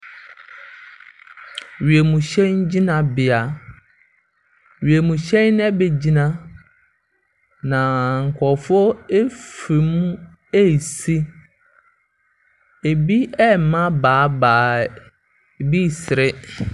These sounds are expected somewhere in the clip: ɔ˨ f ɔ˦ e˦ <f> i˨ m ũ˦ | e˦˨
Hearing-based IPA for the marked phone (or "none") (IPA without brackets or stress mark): f